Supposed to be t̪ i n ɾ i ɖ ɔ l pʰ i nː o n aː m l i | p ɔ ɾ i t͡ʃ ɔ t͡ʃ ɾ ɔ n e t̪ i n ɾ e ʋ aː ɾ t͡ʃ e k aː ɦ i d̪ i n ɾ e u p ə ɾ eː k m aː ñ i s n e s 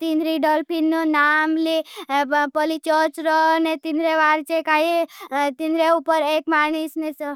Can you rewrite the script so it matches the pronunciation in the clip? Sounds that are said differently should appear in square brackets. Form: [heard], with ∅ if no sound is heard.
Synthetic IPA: t̪ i n ɾ i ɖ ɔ l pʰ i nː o n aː m l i | p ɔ [l] i t͡ʃ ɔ t͡ʃ ɾ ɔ n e t̪ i n ɾ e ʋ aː ɾ t͡ʃ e k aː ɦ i [t̪] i n ɾ e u p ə ɾ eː k m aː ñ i s n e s